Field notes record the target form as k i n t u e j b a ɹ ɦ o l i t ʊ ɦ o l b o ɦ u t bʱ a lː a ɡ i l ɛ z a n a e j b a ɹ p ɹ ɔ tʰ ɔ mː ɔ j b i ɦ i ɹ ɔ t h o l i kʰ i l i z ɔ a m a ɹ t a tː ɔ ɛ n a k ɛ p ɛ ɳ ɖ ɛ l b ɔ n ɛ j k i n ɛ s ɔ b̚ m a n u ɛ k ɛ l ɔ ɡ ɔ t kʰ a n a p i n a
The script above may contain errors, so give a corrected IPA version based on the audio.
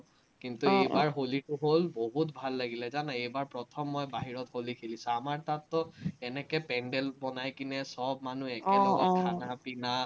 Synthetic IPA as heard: k i n t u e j b a ɹ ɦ o l i t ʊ ɦ o l b o ɦ u t bʱ a lː a ɡ i l ɛ z a n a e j b a ɹ p ɹ ɔ tʰ ɔ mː ɔ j b a ɦ i ɹ ɔ t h o l i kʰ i l i s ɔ a m a ɹ t a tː ɔ ɛ n ɛ k ɛ p ɛ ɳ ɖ ɛ l b ɔ n a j k i n ɛ s ɔ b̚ m a n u ɛ k ɛ l ɔ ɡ ɔ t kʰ a n a p i n a